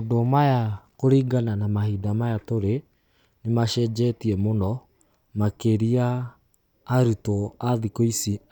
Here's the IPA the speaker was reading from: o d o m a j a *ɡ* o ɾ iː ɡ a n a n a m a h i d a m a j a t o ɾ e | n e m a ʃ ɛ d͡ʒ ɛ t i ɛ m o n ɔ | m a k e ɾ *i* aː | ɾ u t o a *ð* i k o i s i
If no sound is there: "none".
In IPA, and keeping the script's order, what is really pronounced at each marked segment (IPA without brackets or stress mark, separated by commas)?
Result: k, i, ð